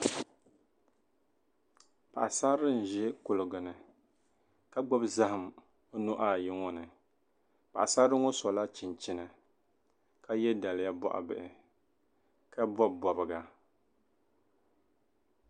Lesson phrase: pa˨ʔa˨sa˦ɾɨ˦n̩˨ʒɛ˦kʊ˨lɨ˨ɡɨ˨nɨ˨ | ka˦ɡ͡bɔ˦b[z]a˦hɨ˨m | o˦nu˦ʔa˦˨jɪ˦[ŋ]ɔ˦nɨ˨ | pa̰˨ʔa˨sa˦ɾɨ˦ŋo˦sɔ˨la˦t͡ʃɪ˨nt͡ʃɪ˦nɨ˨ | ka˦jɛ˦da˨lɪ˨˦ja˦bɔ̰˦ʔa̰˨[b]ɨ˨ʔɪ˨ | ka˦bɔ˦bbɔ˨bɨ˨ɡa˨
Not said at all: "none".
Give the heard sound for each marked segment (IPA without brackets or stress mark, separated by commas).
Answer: z, ŋ, b